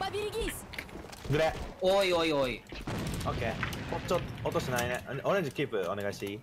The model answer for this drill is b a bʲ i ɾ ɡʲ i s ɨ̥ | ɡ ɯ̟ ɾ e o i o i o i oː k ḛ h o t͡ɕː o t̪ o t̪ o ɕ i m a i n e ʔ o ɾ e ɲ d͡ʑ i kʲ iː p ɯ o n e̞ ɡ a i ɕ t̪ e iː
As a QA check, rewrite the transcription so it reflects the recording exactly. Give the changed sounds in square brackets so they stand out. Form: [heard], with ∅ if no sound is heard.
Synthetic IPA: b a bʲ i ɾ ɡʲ i s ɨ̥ | ɡ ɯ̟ ɾ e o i o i o i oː k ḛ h o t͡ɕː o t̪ o t̪ o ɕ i [n] a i n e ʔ o ɾ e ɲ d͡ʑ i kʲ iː p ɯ o n e̞ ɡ a i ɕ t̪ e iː